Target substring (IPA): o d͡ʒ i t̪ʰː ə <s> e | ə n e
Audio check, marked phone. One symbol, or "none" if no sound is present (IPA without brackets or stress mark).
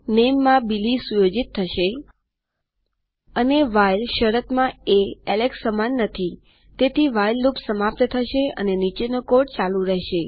ʃ